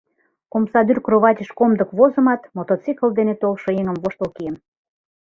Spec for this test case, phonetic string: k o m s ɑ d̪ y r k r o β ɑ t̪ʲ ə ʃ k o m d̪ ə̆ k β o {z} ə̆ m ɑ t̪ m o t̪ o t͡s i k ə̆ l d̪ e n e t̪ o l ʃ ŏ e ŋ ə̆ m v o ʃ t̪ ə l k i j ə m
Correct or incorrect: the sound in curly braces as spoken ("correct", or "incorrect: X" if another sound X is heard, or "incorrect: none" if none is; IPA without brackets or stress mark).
correct